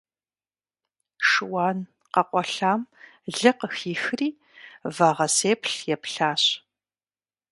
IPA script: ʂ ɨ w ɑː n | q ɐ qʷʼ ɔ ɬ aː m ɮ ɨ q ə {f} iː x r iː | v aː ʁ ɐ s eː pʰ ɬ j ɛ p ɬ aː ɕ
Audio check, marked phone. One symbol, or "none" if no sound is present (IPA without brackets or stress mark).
x